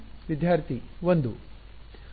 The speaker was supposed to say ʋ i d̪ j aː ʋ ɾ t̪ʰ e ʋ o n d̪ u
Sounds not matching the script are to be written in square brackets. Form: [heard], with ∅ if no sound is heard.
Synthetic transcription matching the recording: ʋ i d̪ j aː [∅] ɾ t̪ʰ [i] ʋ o n d̪ u